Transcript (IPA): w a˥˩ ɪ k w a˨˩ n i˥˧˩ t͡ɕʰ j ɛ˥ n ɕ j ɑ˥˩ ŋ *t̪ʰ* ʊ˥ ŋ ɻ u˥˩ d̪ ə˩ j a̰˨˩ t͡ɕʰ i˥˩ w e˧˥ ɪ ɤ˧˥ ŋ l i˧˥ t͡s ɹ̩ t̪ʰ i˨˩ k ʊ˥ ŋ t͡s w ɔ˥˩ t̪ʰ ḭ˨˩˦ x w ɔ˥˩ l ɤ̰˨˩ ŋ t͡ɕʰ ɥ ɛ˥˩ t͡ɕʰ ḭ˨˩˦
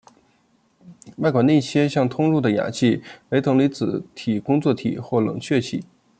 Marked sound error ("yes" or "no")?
no